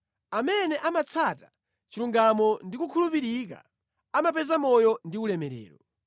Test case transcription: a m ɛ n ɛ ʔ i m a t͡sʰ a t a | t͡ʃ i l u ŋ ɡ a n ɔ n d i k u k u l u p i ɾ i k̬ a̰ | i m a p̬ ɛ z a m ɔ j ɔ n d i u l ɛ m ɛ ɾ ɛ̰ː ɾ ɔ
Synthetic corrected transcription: a m ɛ n ɛ ʔ a m a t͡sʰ a t a | t͡ʃ i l u ŋ ɡ a m ɔ n d i k u kʰ u l u p i ɾ i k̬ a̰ | a m a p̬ ɛ z a m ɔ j ɔ n d i u l ɛ m ɛ ɾ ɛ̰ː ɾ ɔ

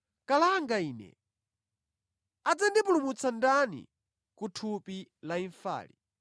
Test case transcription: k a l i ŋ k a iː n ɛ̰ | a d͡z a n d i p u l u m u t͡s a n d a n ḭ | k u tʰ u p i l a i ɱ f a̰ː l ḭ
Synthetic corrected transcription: k a l a ŋ ɡ a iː n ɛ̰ | a d͡z a n d i p u l u m u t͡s a n d a n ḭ | k u tʰ u p i l a i ɱ f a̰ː l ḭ

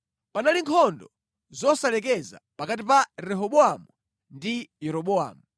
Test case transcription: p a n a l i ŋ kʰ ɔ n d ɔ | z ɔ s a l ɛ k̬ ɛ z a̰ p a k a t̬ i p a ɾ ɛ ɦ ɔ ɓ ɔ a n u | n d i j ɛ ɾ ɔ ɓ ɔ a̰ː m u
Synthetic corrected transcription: p a n a l i ŋ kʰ ɔ n d ɔ | z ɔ s a l ɛ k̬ ɛ z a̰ p a k a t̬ i p a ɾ ɛ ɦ ɔ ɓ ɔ a m u | n d i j ɛ ɾ ɔ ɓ ɔ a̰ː m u

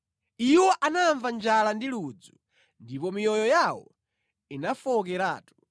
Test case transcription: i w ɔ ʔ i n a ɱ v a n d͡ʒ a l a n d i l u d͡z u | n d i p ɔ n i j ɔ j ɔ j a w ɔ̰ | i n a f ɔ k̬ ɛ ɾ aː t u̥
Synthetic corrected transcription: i w ɔ ʔ a n a ɱ v a n d͡ʒ a l a n d i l u d͡z u | n d i p ɔ m i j ɔ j ɔ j a w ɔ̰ | i n a f ɔ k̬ ɛ ɾ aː t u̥

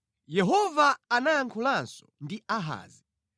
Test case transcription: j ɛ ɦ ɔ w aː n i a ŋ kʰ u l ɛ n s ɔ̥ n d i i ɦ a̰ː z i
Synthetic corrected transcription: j ɛ ɦ ɔ v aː n a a ŋ kʰ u l a n s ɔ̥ n d i a ɦ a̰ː z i

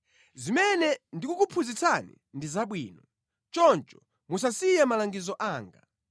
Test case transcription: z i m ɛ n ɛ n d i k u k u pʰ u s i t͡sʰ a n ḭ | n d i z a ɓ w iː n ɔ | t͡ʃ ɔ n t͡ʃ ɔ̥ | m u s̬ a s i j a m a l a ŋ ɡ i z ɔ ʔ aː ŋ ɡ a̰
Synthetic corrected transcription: z i m ɛ n ɛ n d i k u k u pʰ u z i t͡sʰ a n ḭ | n d i z a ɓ w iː n ɔ | t͡ʃ ɔ n t͡ʃ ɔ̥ | m u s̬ a s i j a m a l a ŋ ɡ i z ɔ ʔ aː ŋ ɡ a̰

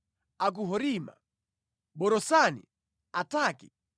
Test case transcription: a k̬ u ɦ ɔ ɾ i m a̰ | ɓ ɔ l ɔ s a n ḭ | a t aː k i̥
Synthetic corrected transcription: a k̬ u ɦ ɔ ɾ i m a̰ | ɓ ɔ ɾ ɔ s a n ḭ | a t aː k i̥

